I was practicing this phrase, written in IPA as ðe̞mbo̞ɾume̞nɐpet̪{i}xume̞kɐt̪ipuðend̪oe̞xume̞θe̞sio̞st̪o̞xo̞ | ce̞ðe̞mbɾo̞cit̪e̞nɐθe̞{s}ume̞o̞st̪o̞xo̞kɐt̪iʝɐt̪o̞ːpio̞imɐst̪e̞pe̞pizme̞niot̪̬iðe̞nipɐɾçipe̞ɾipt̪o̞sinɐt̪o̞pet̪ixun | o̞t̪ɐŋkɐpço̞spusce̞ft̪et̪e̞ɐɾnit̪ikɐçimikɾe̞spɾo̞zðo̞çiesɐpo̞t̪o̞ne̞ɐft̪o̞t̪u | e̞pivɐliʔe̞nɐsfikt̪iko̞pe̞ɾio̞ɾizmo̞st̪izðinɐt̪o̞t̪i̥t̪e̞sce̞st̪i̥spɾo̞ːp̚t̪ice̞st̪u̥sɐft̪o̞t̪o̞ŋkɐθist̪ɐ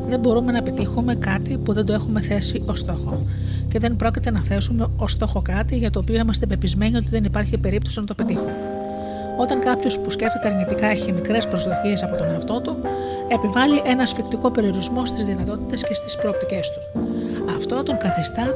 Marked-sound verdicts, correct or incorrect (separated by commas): correct, correct